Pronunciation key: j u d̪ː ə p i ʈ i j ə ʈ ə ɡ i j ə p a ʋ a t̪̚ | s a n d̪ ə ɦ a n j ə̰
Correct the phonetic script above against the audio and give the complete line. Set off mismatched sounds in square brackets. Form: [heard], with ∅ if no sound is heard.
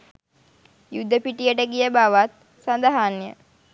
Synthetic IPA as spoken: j u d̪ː ə p i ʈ i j ə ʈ ə ɡ i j ə [b] a ʋ a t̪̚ | s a n d̪ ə ɦ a n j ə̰